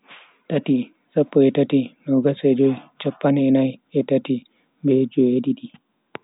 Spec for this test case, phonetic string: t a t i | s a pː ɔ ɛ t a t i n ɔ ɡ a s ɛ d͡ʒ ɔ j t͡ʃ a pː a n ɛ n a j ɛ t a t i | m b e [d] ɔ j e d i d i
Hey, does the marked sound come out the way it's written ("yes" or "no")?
no